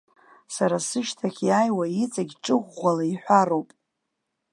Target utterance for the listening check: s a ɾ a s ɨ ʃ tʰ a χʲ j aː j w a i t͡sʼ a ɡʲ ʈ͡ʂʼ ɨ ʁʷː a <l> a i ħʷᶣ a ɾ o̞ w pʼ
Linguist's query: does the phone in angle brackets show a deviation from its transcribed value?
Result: no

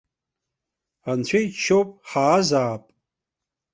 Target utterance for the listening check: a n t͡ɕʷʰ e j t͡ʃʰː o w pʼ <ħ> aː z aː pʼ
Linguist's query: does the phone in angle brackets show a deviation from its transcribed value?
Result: no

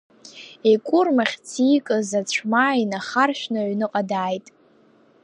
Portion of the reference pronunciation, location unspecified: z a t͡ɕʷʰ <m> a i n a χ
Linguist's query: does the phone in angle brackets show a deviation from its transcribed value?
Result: no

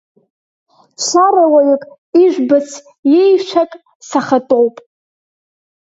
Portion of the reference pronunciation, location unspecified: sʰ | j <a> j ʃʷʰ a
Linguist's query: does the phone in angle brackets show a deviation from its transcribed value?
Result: yes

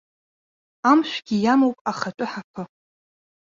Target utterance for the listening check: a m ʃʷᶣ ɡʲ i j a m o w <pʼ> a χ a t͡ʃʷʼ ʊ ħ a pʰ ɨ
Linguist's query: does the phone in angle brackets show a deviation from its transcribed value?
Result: no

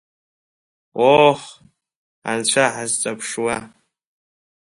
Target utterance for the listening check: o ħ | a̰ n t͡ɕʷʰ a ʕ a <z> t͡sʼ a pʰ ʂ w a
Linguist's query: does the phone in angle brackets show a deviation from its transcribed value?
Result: no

